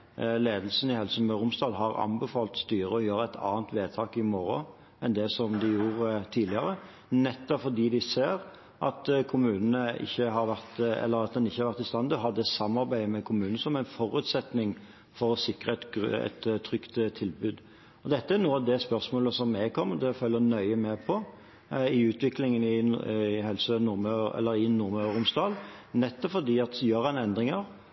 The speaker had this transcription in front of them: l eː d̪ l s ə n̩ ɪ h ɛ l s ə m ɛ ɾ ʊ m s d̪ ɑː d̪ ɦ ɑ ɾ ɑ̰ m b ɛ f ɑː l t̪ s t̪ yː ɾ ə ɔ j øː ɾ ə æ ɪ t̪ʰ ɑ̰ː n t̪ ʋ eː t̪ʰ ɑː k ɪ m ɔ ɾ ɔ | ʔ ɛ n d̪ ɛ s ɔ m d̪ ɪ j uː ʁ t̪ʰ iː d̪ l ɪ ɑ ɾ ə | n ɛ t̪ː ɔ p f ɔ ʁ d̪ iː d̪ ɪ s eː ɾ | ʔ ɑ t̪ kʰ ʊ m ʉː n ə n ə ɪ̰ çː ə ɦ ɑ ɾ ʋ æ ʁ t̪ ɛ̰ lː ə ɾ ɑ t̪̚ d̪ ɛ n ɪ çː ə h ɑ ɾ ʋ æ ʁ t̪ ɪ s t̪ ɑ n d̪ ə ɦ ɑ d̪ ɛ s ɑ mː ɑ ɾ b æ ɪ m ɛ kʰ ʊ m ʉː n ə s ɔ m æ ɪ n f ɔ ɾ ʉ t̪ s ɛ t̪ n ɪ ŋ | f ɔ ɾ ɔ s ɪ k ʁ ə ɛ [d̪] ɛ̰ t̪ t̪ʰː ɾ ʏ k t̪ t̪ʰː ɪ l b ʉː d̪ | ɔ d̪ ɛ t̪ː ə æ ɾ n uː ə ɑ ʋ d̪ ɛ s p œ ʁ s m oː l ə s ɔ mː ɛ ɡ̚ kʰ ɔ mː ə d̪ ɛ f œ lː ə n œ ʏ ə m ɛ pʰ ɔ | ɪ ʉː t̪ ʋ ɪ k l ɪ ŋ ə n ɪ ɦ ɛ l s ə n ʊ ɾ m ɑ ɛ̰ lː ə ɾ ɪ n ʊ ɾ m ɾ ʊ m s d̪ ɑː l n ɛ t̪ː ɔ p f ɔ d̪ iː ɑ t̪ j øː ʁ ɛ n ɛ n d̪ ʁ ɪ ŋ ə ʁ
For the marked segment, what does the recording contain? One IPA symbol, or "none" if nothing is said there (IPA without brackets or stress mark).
t̪